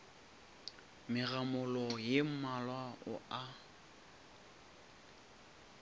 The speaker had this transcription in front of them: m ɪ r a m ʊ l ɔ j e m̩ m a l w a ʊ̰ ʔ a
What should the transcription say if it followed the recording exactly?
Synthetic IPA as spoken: m ɪ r a m ʊ l ɔ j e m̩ m a l w a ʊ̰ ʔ a